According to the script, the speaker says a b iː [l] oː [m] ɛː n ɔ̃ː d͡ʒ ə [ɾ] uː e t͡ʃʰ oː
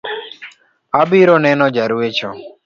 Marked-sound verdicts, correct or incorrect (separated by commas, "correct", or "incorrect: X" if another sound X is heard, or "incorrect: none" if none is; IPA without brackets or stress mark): incorrect: ɾ, incorrect: n, correct